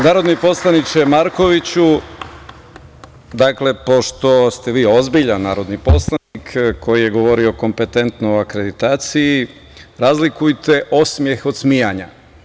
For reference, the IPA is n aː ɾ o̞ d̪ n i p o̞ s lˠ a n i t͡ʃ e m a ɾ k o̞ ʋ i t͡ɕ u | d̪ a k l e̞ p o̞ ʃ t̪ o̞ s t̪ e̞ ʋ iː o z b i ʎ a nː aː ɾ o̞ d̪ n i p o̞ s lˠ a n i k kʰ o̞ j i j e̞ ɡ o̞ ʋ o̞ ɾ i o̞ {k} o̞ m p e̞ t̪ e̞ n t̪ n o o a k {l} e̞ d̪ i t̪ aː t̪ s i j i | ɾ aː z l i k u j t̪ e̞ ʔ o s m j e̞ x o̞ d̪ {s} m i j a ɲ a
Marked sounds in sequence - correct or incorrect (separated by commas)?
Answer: correct, incorrect, correct